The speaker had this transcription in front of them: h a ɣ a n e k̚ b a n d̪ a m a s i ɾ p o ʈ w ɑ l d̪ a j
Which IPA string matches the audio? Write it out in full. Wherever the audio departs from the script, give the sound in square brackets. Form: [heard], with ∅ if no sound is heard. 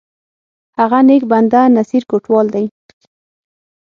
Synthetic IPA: h a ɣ a n e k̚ b a n d̪ a [n] a s i ɾ [k] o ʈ w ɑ l d̪ a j